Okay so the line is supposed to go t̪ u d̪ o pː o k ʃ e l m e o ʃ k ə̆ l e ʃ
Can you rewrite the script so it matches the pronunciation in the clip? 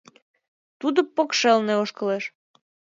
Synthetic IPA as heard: t̪ u d̪ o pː o k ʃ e l n e o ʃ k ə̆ l e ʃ